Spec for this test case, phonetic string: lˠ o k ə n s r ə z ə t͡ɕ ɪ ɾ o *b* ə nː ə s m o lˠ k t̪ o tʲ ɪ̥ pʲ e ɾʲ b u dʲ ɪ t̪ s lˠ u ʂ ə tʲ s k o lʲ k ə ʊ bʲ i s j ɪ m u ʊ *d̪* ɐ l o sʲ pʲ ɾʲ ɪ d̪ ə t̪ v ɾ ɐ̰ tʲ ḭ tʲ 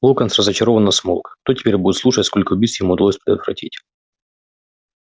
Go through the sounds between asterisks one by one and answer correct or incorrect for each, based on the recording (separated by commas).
incorrect, correct